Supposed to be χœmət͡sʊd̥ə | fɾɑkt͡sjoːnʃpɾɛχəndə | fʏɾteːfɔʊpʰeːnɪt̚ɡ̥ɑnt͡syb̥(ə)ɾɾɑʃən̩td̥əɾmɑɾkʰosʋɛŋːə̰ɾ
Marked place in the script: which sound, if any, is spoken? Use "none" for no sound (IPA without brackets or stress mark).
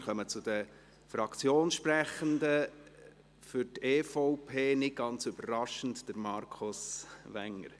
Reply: ə